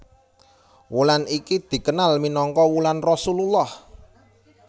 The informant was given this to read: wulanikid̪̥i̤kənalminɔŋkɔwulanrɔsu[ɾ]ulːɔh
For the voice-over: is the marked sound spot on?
no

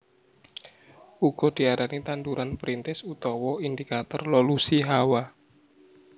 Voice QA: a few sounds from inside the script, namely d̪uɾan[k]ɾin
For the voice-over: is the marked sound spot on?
no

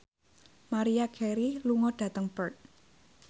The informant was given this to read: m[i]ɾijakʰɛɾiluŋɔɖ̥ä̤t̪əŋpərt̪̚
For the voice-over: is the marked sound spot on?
no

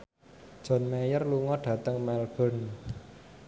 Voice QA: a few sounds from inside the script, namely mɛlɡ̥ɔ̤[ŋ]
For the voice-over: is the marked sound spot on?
no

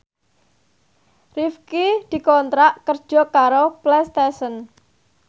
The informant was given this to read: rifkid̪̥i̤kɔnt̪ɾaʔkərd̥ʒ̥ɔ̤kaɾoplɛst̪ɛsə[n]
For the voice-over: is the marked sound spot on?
yes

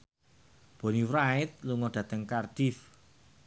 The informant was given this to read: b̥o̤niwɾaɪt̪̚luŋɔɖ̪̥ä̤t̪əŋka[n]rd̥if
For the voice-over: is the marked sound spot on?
no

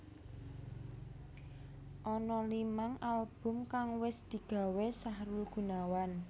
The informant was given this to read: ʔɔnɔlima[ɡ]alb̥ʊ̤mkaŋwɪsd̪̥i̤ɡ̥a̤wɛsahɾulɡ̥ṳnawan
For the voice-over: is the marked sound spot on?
no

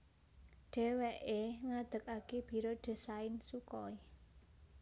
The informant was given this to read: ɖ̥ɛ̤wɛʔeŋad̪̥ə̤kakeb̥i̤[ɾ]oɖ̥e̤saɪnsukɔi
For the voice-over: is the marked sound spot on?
yes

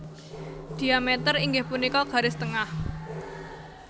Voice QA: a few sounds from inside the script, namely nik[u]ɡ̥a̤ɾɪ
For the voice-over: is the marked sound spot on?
no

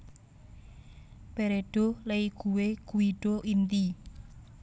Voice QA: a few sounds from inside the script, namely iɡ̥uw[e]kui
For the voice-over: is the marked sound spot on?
yes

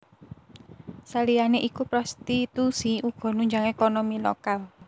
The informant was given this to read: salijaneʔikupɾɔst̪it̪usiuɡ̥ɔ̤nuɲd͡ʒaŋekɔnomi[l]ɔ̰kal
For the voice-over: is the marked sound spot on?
yes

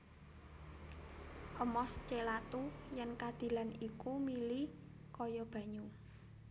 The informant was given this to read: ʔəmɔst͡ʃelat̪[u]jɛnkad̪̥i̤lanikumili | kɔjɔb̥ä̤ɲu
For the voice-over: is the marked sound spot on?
yes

